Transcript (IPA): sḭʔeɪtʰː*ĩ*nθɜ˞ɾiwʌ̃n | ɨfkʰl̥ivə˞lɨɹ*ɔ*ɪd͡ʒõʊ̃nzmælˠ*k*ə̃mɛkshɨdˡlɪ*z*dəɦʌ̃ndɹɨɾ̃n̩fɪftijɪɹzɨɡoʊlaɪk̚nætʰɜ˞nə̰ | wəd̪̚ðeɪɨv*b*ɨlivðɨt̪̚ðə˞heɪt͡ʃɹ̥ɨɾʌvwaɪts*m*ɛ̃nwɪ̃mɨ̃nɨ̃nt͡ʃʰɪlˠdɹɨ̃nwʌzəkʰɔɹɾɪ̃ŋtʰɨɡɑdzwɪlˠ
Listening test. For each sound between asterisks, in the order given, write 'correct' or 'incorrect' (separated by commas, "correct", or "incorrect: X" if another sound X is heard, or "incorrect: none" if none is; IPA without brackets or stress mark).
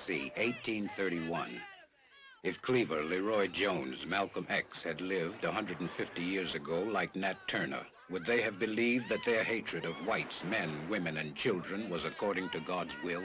correct, correct, correct, incorrect: v, correct, correct